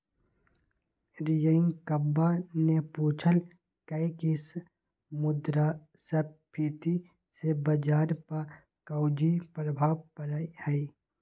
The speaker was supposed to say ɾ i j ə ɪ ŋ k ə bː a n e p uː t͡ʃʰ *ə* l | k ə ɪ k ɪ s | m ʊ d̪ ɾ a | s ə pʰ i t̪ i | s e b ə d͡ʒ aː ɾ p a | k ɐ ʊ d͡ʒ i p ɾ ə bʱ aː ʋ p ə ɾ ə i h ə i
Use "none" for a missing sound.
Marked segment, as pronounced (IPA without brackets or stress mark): ə